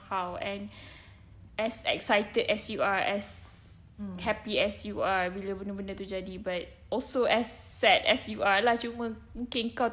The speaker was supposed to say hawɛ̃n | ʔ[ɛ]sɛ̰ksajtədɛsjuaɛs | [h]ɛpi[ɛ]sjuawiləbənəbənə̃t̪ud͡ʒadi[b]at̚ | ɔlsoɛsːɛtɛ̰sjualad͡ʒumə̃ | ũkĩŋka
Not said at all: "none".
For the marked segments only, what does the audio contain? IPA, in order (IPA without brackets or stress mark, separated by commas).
ɛ, h, ɛ, b